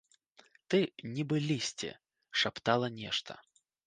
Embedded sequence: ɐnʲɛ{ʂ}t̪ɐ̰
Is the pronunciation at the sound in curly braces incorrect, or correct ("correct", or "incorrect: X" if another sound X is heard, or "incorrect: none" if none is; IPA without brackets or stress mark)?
correct